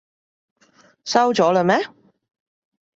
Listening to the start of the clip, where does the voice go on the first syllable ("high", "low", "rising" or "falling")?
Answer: high